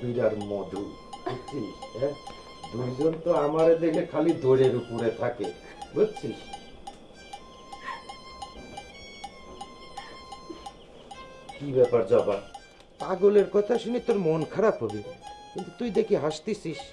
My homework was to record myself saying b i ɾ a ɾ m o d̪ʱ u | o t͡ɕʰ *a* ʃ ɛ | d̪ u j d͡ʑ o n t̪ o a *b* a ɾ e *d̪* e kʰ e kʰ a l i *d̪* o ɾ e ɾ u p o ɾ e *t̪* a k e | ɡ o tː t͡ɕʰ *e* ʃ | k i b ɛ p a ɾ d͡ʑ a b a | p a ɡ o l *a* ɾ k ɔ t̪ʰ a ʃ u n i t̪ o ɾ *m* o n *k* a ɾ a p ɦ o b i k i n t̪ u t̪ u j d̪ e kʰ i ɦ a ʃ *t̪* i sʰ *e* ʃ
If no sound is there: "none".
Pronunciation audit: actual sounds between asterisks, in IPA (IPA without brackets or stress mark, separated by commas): i, m, d̪, d̪, t̪ʰ, i, e, m, kʰ, t̪, i